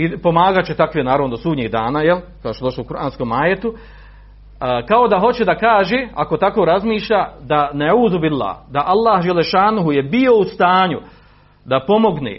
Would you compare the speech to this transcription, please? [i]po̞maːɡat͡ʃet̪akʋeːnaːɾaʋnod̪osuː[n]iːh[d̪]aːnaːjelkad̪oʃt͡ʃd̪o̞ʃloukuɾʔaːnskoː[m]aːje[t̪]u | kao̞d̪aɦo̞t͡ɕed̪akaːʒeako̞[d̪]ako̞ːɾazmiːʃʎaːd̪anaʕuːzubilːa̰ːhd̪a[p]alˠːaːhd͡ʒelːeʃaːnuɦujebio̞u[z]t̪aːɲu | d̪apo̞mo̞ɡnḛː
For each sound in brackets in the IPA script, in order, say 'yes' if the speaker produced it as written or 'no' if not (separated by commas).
yes, no, yes, yes, yes, no, no, no